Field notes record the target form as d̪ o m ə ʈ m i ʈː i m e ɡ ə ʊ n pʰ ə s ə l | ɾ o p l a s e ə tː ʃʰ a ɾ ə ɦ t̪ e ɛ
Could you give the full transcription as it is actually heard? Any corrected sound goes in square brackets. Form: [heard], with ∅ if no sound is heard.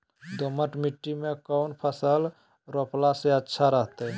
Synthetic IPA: d̪ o m ə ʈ m i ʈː i m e [k] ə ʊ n pʰ ə s ə l | ɾ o p l a s e ə tː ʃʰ a ɾ ə ɦ t̪ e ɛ